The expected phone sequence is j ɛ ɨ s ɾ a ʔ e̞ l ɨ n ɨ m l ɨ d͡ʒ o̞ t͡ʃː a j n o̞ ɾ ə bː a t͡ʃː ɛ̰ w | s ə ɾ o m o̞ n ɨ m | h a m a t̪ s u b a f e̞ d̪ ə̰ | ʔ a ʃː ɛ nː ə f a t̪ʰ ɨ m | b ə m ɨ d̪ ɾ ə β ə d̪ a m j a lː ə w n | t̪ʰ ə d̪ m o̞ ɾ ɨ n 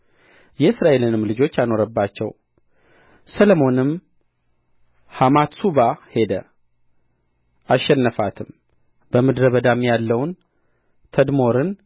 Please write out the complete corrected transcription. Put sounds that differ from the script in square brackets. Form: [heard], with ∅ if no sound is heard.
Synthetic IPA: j ɛ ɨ s ɾ a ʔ e̞ l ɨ n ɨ m l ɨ d͡ʒ o̞ t͡ʃː a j n o̞ ɾ ə bː a t͡ʃː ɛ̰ w | s ə [l] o m o̞ n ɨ m | h a m a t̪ s u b a [h] e̞ d̪ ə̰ | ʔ a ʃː ɛ nː ə f a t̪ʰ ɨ m | b ə m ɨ d̪ ɾ ə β ə d̪ a m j a lː ə w n | t̪ʰ ə d̪ m o̞ ɾ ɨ n